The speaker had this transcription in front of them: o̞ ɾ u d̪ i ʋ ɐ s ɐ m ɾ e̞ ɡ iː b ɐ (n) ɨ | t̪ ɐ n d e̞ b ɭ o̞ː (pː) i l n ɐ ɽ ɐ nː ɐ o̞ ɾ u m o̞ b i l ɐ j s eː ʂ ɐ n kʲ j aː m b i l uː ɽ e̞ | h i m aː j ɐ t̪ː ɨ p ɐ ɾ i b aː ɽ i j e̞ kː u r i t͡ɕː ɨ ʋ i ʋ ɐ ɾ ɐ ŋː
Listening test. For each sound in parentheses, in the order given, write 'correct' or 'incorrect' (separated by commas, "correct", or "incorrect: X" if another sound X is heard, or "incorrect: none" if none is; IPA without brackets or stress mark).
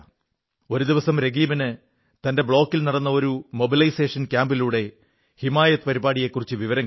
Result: correct, incorrect: kː